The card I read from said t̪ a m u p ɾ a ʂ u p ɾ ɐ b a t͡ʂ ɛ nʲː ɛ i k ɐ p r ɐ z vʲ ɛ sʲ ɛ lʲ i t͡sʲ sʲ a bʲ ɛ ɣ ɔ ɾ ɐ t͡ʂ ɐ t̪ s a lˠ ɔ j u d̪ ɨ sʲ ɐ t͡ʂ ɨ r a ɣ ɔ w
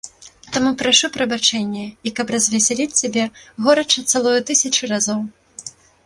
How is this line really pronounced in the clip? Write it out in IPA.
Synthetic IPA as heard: t̪ a m u p ɾ a ʂ u p ɾ ɐ b a t͡ʂ ɛ nʲː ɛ i k ɐ p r ɐ z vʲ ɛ sʲ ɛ lʲ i t͡sʲ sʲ a bʲ ɛ ɣ ɔ ɾ ɐ t͡ʂ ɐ t̪ s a lˠ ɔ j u t̪ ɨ sʲ ɐ t͡ʂ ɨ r a z ɔ w